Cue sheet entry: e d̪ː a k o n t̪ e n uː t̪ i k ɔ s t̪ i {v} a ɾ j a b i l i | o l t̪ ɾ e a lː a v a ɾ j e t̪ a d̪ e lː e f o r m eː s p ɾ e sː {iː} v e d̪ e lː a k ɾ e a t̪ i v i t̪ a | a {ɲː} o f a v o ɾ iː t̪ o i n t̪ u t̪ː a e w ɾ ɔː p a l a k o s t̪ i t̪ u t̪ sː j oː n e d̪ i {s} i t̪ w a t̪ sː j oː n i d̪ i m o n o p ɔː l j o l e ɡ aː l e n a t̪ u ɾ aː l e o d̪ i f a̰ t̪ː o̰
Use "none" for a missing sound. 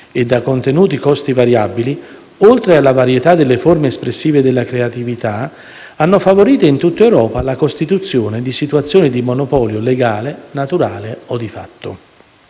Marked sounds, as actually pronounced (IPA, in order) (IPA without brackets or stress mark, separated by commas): v, iː, nː, s